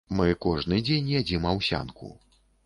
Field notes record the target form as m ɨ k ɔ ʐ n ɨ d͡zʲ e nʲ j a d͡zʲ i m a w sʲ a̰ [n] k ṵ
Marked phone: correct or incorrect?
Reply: correct